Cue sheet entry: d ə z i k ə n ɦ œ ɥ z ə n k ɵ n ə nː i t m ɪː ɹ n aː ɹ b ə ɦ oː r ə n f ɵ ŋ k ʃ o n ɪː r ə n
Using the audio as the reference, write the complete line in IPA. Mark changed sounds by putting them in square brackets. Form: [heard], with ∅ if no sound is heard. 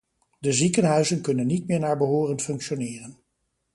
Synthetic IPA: d ə z i k ə n ɦ œ ɥ z ə n k ɵ n ə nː i t m ɪː ɹ n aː ɹ b ə ɦ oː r ə n f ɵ ŋ k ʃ o n ɪː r ə n